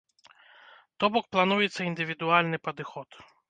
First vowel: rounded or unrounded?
rounded